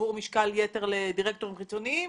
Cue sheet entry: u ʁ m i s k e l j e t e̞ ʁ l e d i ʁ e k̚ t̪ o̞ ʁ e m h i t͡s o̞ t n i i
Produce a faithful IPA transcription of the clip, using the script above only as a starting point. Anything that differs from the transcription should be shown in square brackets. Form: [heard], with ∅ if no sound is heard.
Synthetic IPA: u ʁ m i [ʃ] k [a] l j e t e̞ ʁ l e d i ʁ e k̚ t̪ o̞ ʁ [i] m [χ] i t͡s o̞ [∅] n i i